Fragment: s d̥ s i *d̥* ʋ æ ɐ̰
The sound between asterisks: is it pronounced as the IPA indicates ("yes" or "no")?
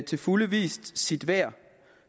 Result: yes